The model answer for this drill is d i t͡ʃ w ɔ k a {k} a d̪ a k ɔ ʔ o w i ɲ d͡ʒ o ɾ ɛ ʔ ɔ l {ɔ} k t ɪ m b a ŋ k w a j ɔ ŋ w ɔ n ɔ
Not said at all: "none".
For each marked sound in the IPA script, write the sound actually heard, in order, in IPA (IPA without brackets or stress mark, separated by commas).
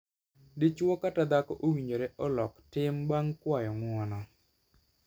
t, ɔ